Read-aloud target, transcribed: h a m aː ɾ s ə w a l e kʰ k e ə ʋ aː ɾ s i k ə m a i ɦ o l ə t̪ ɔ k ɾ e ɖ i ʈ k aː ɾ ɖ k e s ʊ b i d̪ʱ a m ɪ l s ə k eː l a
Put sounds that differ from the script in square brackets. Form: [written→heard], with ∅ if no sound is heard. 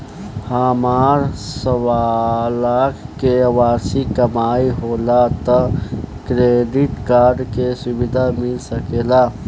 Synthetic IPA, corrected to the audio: h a m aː ɾ s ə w a l [e→a] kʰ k e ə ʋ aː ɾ s i k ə m a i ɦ o l [ə→a] t̪ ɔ k ɾ e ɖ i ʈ k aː ɾ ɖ k e s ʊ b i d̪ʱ a m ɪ l s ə k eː l a